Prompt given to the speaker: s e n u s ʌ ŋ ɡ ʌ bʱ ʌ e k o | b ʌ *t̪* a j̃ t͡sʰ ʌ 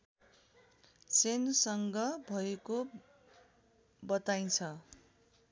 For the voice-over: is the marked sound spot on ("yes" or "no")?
yes